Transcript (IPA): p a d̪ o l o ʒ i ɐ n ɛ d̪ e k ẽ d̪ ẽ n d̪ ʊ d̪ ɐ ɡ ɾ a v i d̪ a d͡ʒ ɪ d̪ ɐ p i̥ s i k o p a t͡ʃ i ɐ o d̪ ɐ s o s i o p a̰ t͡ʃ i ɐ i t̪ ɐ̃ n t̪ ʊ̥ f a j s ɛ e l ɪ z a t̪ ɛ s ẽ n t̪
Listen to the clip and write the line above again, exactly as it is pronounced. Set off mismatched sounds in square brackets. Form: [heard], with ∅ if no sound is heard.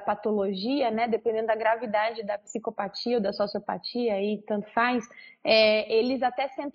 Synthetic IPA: p a [t̪] o l o ʒ i ɐ n ɛ d̪ e [p] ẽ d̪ ẽ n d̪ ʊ d̪ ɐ ɡ ɾ a v i d̪ a d͡ʒ ɪ d̪ ɐ p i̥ s i k o p a t͡ʃ i ɐ o d̪ ɐ s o s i o p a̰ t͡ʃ i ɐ i t̪ ɐ̃ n t̪ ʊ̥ f a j s ɛ e l ɪ z a t̪ ɛ s ẽ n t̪